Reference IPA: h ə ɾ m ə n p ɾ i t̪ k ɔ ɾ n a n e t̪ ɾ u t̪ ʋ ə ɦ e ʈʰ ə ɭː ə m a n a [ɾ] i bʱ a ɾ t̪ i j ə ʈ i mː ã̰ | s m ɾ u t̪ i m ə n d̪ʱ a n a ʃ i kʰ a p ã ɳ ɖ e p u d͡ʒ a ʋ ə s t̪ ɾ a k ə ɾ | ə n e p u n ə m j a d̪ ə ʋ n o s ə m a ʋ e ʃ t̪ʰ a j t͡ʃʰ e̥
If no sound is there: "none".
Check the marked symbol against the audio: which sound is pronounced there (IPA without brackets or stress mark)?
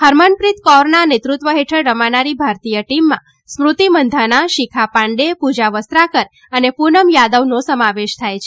ɾ